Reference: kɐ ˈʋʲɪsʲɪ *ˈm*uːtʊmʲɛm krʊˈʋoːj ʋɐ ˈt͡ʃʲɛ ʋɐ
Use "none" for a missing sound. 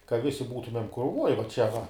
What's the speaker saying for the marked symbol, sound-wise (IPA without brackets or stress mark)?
b